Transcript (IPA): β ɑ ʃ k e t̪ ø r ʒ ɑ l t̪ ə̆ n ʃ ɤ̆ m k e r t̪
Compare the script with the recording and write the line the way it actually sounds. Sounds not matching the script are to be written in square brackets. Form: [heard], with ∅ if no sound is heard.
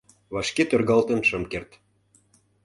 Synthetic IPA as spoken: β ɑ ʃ k e t̪ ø r [ɣ] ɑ l t̪ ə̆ n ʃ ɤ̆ m k e r t̪